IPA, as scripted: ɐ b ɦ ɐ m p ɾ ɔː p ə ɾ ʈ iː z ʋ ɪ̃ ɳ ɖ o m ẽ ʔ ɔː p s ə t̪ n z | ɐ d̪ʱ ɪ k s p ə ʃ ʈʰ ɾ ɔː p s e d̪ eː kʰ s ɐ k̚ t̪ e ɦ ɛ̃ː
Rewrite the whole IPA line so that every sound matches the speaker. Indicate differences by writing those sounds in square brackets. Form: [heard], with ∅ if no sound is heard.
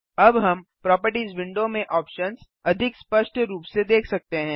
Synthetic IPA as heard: ɐ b ɦ ɐ m p ɾ ɔː p ə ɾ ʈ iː z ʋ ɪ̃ ɳ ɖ o m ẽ ʔ ɔː p [ʃ] ə [∅] n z | ɐ d̪ʱ ɪ k s p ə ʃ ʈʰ ɾ [uː] p s e d̪ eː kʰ s ɐ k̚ t̪ e ɦ ɛ̃ː

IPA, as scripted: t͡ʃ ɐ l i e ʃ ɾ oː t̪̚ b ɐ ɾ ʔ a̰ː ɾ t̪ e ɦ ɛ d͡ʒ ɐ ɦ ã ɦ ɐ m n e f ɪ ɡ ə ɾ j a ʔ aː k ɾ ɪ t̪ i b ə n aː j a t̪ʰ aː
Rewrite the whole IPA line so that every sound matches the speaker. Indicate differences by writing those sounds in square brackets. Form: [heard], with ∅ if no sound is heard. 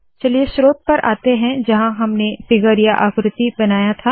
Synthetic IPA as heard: t͡ʃ ɐ l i e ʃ ɾ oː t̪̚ [p] ɐ ɾ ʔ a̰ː [∅] t̪ e ɦ [ɛ̃] d͡ʒ ɐ ɦ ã ɦ ɐ m n e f ɪ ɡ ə ɾ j a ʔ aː k ɾ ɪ t̪ i b [ɐ] n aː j a t̪ʰ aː

